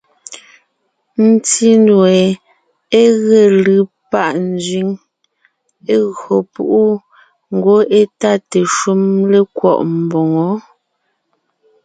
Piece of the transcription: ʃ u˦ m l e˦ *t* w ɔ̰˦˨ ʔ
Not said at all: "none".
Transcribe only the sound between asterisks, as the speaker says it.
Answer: k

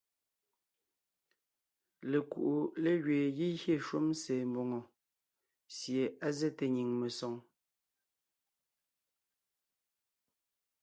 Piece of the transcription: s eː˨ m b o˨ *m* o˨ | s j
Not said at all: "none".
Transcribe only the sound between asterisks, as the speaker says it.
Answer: ŋ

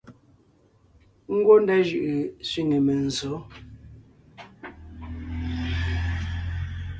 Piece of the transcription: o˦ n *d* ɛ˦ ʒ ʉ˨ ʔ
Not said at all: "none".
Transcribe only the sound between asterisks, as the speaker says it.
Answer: d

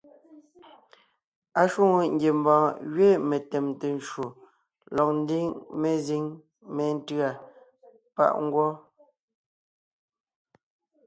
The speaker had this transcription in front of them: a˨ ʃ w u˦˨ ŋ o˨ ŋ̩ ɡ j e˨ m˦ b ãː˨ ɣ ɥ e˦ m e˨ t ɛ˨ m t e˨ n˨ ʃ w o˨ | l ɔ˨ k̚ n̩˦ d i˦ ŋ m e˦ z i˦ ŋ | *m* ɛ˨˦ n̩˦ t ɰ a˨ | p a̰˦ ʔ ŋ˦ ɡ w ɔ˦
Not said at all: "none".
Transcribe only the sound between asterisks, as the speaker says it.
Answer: m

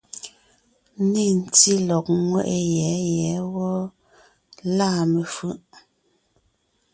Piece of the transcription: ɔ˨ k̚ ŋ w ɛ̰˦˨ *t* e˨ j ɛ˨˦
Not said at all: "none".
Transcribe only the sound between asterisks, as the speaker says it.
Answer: ʔ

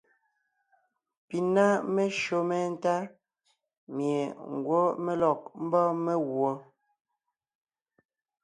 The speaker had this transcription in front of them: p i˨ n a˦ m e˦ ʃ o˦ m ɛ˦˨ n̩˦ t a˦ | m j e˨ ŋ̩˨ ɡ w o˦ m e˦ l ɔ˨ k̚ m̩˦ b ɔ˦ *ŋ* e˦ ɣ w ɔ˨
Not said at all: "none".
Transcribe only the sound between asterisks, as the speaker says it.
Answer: m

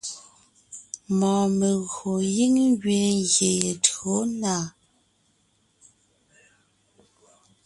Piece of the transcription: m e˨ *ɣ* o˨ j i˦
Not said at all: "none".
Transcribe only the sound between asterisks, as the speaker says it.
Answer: ɣ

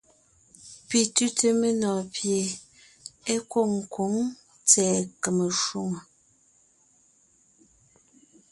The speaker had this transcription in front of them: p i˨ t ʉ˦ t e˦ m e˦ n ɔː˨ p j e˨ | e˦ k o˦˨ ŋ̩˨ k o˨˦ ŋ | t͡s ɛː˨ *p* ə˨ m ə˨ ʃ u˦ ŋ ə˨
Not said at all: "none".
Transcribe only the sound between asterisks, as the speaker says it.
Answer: k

